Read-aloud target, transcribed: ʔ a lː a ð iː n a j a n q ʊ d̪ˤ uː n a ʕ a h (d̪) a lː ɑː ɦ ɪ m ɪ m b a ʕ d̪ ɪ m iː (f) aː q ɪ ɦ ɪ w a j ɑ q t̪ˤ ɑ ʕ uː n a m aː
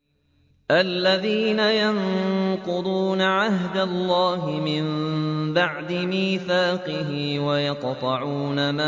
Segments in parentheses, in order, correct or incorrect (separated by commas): correct, incorrect